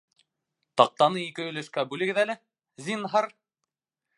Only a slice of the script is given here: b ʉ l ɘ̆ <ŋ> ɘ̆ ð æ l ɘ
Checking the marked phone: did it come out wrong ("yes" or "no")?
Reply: yes